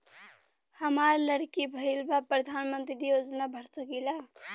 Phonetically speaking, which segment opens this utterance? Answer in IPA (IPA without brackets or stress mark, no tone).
h